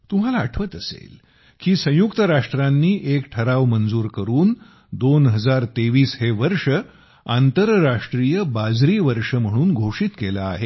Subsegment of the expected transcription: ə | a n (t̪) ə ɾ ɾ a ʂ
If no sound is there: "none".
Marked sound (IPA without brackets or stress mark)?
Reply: t̪